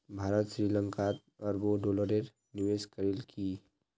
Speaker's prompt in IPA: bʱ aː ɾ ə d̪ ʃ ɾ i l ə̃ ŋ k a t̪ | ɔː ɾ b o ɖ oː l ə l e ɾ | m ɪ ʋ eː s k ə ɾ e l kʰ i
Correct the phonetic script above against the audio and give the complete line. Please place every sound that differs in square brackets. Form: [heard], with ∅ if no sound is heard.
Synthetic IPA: bʱ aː ɾ ə [t̪] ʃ ɾ i l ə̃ ŋ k a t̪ | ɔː ɾ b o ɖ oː l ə [ɾ] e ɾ | [n] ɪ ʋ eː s k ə ɾ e l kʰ i